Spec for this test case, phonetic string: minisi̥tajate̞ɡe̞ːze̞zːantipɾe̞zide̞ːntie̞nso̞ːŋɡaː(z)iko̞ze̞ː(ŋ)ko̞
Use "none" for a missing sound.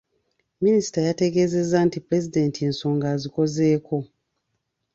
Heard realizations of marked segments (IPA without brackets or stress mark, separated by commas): z, none